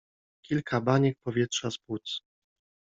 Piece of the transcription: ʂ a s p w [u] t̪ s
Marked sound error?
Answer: no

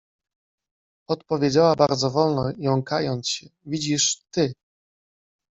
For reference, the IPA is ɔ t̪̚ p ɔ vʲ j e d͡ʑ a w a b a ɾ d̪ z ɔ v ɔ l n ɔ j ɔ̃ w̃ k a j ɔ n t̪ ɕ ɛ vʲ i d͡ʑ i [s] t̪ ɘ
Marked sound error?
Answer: yes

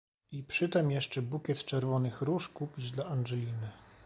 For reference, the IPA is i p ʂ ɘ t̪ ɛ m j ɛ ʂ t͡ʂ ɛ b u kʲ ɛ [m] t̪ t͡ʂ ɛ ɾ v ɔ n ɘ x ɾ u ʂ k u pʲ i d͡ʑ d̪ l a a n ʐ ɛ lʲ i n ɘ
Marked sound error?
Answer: yes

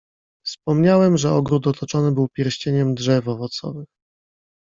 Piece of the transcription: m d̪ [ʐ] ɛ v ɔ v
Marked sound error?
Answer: no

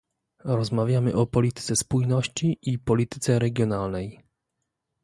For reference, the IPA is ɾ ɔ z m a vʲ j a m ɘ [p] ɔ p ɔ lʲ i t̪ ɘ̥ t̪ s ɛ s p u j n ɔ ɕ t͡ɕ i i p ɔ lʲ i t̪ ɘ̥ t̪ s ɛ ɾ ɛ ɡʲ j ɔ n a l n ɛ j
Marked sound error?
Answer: yes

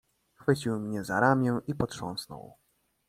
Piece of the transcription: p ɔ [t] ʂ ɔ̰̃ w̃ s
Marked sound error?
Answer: no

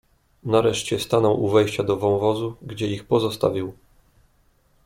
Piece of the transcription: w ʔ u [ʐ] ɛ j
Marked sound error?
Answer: yes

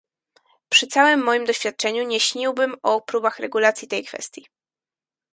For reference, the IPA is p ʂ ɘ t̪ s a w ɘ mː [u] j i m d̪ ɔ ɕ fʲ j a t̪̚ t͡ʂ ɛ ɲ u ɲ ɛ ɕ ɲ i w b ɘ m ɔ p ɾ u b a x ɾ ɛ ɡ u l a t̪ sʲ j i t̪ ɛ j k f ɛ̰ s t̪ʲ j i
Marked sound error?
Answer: yes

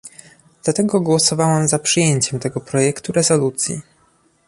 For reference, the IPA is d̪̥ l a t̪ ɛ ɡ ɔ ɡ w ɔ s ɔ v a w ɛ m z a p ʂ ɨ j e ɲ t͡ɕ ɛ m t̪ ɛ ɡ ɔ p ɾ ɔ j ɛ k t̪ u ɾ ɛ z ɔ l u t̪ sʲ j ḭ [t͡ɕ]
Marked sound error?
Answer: yes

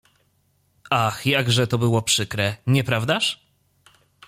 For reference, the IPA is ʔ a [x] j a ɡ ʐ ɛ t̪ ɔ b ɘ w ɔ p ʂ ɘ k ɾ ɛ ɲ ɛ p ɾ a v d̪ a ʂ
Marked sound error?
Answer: no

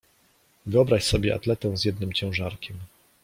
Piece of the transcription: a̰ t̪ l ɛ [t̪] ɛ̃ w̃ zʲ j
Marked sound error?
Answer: no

